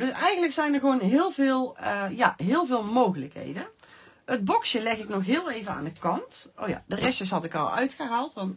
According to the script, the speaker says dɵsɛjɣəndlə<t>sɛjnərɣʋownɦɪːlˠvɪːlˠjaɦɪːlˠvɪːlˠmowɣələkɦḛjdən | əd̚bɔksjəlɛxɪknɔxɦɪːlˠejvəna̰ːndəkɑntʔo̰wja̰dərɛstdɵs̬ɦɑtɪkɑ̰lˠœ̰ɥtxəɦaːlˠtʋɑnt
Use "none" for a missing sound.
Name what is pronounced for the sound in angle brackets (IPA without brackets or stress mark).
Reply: k